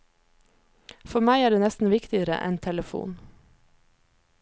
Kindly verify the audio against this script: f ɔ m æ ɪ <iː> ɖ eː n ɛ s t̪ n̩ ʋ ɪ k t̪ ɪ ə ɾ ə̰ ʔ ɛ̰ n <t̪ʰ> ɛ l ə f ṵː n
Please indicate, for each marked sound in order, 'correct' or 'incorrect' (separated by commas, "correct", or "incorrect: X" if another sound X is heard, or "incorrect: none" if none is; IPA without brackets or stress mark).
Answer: incorrect: æː, correct